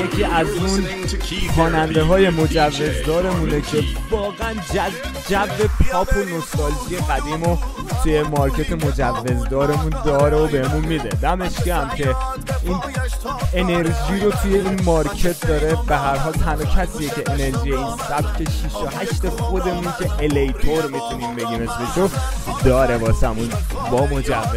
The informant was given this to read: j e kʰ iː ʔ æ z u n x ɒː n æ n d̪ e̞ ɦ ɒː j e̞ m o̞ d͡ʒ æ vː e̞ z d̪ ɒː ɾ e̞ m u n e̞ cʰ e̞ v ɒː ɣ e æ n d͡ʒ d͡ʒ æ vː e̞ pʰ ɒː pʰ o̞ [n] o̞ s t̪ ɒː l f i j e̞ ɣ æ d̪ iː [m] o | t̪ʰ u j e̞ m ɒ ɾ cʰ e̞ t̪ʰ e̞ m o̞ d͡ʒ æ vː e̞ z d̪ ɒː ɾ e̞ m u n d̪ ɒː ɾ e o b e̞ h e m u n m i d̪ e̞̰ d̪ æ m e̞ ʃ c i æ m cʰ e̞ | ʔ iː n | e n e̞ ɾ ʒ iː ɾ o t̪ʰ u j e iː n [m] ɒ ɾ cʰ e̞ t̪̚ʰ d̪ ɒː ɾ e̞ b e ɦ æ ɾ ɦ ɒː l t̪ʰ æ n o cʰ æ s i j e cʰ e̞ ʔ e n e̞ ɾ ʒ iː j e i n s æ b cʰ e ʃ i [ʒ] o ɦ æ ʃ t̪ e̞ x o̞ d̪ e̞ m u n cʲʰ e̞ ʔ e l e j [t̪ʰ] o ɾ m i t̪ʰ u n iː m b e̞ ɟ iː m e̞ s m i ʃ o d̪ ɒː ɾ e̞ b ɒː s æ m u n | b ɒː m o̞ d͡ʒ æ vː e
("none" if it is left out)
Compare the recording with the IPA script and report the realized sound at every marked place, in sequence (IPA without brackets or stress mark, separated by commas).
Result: n, m, m, ʃ, t̪ʰ